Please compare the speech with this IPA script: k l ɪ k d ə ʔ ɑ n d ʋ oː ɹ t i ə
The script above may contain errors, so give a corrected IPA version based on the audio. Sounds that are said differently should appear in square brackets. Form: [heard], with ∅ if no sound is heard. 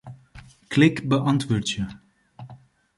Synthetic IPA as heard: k l ɪ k [b] ə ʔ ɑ n [t] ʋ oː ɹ t [j] ə

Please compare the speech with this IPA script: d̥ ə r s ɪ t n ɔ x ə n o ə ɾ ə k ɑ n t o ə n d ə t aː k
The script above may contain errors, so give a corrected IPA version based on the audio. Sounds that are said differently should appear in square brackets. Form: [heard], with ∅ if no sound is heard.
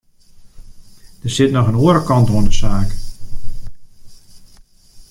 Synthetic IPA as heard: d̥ ə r s ɪ t n ɔ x ə n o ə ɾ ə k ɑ n t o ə n d ə [s] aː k

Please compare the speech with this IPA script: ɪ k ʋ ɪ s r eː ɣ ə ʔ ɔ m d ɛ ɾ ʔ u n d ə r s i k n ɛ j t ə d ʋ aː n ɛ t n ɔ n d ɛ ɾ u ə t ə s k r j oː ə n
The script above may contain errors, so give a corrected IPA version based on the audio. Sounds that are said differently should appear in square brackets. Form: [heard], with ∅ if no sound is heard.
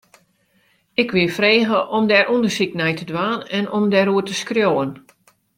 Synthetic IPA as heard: ɪ k ʋ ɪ [f] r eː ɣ ə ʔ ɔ m d ɛ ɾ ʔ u n d ə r s i k n ɛ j t ə d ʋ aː n ɛ [∅] n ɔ [m] d ɛ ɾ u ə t ə s k r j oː ə n

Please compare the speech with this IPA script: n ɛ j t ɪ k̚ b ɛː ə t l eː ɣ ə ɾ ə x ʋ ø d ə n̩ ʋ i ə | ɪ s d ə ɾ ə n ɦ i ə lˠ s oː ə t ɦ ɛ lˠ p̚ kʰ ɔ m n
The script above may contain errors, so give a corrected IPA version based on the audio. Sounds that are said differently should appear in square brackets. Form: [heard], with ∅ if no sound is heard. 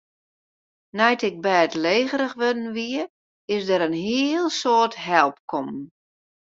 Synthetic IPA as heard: n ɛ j t ɪ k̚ b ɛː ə t l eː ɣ ə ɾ ə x ʋ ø d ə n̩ ʋ i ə | ɪ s d ə ɾ ə n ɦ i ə lˠ s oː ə t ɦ ɛ lˠ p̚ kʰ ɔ m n

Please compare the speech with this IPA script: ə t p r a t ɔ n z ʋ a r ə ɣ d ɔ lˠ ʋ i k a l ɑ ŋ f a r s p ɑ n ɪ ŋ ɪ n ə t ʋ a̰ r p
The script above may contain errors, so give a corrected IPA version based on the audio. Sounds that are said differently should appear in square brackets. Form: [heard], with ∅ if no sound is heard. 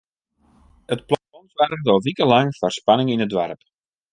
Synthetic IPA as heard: ə t p [l] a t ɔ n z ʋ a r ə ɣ d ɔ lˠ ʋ i k [ə] l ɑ ŋ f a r s p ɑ n ɪ ŋ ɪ n ə [d] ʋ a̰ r p

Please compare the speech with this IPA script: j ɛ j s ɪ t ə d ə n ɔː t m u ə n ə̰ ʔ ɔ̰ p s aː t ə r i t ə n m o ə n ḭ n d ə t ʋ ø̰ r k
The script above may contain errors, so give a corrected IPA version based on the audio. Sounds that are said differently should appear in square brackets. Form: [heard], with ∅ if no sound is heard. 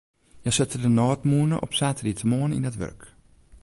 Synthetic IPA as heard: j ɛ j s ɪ t ə d ə n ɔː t m u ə n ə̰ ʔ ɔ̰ p s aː t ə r i t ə [∅] m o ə n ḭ n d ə t ʋ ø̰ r k

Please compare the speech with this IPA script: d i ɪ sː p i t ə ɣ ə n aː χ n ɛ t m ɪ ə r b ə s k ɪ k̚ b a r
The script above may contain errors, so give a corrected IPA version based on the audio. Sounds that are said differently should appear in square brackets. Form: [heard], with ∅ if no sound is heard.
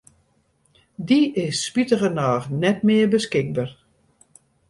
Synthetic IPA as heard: d i ɪ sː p i t ə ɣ ə n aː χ n ɛ t m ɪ ə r b ə s k ɪ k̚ b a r

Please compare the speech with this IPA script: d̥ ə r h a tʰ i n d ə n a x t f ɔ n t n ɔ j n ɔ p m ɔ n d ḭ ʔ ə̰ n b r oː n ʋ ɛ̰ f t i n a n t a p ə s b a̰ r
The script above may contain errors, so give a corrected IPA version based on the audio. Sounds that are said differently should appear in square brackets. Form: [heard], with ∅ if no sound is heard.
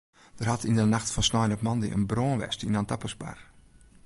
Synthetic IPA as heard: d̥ ə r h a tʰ i n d ə n a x t f ɔ n [s] n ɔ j n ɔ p m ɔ n d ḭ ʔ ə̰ n b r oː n ʋ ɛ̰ [s] t i n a n t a p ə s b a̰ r

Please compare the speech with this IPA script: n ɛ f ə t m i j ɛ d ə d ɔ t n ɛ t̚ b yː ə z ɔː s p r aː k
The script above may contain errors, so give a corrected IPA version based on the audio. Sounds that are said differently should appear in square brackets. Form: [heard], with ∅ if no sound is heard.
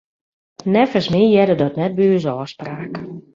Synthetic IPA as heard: n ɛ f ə [s] m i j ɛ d ə d ɔ t n ɛ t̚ b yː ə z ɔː s p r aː k

